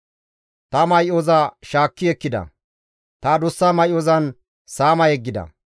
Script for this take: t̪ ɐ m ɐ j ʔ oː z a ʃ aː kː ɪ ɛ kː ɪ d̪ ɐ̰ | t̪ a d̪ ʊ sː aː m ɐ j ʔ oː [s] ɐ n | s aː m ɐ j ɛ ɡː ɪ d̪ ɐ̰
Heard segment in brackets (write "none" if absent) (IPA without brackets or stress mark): z